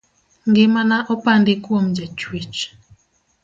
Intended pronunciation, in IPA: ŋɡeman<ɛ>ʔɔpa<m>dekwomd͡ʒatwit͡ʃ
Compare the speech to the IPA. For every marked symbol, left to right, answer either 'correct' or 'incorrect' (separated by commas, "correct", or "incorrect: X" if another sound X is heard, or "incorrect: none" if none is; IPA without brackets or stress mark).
incorrect: a, incorrect: n